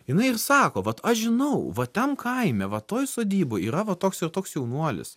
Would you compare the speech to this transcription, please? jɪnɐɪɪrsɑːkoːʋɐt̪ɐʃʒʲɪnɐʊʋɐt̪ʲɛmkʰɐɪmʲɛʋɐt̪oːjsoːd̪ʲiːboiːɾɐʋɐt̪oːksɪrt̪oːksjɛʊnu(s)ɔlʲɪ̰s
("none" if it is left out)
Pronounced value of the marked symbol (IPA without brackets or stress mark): none